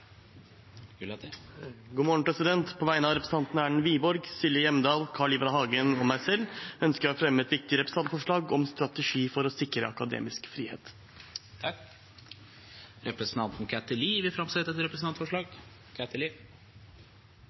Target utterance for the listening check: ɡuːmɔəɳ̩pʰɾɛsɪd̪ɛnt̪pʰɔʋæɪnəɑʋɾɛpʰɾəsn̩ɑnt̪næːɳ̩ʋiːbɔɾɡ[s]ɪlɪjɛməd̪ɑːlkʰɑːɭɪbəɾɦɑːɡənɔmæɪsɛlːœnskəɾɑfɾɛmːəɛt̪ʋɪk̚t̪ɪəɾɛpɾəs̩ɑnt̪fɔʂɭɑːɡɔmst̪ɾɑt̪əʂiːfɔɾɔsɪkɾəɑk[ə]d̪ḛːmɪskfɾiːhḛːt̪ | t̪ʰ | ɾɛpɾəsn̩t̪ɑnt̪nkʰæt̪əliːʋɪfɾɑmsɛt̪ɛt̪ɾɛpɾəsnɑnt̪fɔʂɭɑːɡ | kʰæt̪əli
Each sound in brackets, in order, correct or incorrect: correct, incorrect

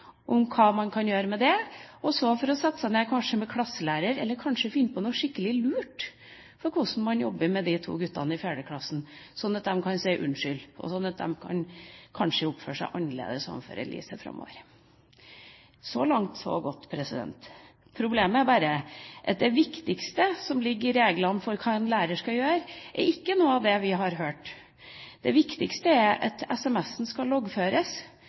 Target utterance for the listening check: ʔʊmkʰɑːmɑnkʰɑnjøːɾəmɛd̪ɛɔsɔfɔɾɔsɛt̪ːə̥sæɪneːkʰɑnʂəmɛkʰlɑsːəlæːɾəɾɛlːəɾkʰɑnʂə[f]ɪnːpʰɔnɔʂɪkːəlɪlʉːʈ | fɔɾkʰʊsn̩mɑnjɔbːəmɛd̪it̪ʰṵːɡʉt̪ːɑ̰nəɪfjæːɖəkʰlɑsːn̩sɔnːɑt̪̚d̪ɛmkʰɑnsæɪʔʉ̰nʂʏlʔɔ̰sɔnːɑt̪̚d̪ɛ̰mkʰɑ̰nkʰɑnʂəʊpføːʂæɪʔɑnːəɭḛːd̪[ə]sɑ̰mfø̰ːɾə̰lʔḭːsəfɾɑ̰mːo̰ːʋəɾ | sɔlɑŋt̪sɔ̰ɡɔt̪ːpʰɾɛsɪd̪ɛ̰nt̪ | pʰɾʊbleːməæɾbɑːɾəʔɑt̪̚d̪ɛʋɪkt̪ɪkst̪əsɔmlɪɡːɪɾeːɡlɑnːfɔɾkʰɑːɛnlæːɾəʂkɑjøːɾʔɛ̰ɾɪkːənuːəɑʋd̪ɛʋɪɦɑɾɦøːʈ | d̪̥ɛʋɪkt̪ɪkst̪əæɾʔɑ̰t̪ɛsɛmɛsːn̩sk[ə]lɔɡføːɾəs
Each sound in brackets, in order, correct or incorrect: correct, correct, incorrect

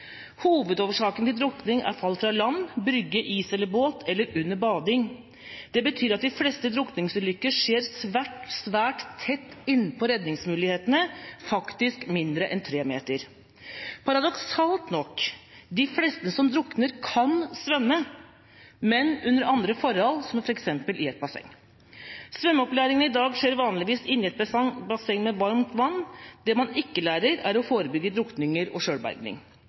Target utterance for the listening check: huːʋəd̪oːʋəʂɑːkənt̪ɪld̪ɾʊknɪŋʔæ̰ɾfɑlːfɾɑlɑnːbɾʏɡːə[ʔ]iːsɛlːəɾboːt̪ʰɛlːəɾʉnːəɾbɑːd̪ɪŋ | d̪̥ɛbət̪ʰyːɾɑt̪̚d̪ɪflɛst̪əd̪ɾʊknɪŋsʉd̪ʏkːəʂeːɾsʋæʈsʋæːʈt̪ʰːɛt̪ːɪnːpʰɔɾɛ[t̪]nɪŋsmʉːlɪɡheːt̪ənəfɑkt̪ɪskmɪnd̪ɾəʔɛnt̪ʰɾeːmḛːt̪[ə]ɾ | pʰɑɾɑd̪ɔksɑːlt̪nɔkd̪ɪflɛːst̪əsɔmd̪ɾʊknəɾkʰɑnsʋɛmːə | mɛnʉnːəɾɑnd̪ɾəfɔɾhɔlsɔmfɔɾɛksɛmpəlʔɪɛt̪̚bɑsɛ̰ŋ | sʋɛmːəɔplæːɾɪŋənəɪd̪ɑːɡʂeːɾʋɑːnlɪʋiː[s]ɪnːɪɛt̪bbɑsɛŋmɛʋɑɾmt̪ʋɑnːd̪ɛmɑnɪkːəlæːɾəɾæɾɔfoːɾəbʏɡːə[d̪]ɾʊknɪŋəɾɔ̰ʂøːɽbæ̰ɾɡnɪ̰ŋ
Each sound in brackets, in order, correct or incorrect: correct, incorrect, correct, correct, correct

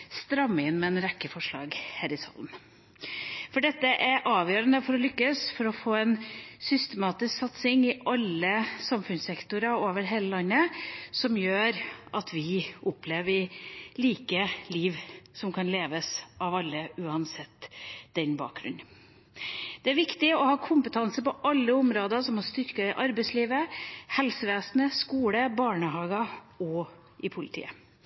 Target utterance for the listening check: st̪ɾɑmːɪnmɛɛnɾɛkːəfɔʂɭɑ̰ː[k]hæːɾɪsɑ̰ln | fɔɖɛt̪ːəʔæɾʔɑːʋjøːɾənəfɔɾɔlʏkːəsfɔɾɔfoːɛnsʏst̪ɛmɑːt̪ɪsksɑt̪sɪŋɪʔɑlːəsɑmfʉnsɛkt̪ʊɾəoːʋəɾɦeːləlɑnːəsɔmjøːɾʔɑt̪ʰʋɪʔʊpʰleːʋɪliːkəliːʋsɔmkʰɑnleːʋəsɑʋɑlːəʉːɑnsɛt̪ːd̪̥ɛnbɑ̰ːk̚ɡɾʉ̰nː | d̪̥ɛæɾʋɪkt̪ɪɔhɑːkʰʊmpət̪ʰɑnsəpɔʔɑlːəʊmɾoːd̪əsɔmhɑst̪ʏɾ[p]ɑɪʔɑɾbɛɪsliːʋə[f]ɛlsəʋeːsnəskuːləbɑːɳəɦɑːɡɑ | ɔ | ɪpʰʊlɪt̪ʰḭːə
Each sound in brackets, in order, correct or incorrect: incorrect, incorrect, incorrect

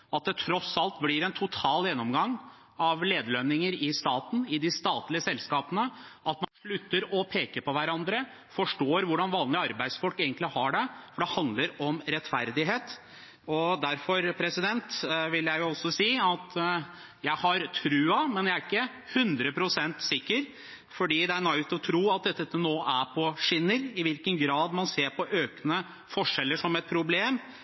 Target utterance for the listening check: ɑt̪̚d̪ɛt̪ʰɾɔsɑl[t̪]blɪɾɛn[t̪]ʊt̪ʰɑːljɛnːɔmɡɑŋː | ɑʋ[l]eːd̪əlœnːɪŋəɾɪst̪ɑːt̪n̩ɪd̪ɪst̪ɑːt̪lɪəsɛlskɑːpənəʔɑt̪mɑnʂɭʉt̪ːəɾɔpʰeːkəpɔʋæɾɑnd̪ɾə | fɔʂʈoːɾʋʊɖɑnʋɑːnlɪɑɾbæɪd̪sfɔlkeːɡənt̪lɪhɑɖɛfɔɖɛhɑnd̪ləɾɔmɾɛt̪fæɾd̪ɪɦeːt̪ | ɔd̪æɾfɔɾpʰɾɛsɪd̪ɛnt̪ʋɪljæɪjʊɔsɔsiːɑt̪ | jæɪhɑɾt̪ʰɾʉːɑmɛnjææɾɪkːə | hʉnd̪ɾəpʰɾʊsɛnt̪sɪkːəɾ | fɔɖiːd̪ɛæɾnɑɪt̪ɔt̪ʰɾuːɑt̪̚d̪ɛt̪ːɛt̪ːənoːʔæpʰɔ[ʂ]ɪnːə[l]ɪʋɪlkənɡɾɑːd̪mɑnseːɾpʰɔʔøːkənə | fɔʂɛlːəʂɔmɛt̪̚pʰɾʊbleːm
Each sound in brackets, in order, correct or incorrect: correct, incorrect, correct, correct, incorrect

